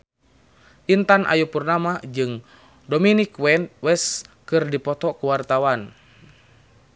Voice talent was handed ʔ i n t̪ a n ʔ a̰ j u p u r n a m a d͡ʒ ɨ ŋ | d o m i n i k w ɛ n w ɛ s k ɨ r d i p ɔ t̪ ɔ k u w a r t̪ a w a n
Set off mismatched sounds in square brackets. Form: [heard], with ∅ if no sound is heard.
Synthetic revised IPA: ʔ i n t̪ a n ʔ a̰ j u p u r n a m a d͡ʒ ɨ ŋ | d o m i n i k w ɛ n w ɛ s k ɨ r d i p ɔ t̪ ɔ k u w a r t̪ a w a n